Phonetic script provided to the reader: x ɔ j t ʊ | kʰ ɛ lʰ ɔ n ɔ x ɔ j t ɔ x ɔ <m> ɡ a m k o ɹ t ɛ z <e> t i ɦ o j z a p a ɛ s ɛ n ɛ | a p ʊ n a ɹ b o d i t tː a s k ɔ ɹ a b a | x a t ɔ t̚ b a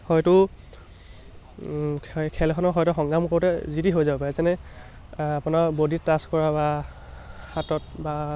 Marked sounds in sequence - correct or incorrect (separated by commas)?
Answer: incorrect, incorrect